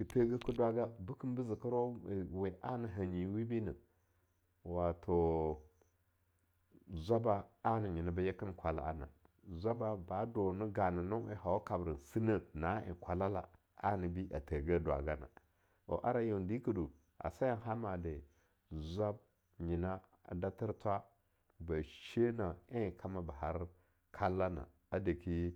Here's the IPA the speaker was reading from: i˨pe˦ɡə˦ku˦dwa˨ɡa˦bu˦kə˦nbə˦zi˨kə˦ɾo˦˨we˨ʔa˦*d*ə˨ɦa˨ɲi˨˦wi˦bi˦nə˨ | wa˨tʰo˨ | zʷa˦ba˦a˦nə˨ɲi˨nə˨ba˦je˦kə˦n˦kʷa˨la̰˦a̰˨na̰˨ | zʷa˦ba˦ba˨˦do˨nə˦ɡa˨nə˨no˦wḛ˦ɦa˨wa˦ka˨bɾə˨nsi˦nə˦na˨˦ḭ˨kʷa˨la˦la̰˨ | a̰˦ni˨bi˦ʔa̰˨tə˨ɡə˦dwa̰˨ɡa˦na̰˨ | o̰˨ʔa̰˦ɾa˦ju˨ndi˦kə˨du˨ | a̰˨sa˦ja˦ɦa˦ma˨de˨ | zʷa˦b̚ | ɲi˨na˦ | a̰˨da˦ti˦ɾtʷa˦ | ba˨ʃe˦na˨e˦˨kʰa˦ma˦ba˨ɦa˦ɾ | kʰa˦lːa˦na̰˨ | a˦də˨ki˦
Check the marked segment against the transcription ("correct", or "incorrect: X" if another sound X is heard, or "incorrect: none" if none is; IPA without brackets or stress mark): incorrect: n